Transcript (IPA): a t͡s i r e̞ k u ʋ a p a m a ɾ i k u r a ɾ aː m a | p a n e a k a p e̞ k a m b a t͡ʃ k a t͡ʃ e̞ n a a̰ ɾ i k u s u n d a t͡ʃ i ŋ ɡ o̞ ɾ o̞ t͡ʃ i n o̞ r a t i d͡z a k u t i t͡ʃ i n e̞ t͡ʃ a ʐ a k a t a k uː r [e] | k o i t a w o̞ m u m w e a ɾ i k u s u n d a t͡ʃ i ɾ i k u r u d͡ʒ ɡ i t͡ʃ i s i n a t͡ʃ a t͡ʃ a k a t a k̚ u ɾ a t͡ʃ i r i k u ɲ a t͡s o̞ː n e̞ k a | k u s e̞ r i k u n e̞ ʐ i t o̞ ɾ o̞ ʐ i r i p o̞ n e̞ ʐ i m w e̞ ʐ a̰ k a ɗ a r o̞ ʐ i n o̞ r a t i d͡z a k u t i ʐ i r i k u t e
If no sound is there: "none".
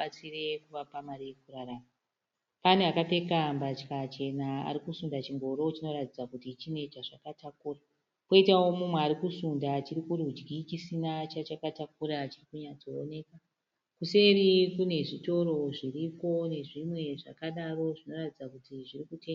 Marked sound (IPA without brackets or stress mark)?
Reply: a